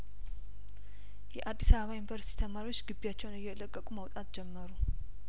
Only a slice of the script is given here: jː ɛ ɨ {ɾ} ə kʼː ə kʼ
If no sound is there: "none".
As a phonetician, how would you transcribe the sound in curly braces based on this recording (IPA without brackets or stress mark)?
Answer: l